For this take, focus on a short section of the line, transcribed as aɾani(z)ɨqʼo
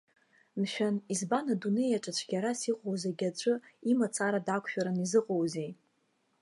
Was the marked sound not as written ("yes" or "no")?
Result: no